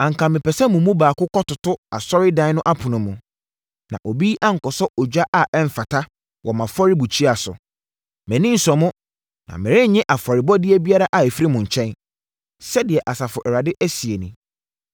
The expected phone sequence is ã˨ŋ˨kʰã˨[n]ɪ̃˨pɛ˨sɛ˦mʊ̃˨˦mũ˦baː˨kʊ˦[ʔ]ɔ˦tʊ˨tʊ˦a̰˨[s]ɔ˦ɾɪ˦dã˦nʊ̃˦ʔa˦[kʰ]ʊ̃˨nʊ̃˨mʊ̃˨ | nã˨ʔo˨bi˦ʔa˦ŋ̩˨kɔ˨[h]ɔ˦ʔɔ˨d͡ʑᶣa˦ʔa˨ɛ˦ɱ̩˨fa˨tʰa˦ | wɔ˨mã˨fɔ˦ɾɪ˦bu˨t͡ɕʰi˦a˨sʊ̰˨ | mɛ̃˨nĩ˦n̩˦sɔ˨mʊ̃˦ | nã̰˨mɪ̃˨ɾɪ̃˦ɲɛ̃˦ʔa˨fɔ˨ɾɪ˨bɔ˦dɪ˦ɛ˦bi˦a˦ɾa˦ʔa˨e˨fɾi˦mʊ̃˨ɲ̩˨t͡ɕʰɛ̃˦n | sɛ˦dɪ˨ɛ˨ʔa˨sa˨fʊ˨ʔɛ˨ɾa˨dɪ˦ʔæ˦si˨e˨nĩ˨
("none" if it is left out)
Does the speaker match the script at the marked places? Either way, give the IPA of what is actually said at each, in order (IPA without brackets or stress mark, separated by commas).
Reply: m, k, s, pʰ, s